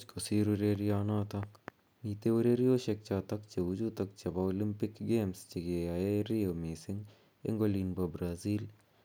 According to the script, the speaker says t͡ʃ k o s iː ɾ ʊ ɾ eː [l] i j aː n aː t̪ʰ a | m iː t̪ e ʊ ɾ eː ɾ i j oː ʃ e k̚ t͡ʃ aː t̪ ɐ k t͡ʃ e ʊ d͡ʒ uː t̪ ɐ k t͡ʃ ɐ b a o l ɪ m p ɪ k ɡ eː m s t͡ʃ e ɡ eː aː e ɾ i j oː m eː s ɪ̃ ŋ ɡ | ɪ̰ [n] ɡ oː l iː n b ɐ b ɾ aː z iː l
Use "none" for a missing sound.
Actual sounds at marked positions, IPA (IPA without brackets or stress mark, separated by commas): ɾ, ŋ